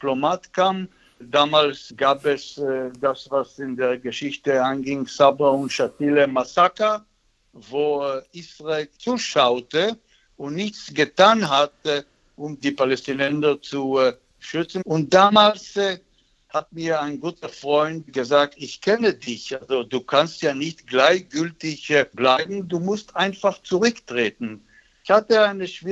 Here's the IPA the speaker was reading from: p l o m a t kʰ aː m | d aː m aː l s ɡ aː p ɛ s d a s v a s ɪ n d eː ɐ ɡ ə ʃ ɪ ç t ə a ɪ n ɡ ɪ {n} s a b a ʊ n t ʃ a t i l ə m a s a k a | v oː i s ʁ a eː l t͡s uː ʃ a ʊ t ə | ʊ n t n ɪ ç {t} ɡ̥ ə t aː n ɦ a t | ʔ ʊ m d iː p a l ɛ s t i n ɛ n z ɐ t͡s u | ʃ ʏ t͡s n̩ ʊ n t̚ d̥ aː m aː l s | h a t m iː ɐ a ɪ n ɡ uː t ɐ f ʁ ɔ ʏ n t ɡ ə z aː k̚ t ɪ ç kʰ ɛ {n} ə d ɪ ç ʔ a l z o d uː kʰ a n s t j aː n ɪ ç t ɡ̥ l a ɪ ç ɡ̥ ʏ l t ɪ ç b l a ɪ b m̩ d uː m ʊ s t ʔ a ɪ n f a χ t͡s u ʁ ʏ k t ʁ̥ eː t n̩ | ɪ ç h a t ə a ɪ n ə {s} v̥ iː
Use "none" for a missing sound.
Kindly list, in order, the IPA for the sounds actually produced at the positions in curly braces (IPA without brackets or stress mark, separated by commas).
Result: ŋ, t͡s, n, ʃ